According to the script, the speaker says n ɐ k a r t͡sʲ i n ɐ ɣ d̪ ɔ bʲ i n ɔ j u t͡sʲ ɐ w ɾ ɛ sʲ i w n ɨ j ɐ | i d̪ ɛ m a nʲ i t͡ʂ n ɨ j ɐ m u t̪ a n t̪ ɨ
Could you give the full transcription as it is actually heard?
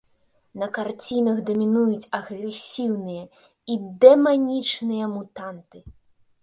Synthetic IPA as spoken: n ɐ k a r t͡sʲ i n ɐ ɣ d̪ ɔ mʲ i n u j u t͡sʲ ɐ ɣ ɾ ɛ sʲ i w n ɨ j ɐ | i d̪ ɛ m a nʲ i t͡ʂ n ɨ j ɐ m u t̪ a n t̪ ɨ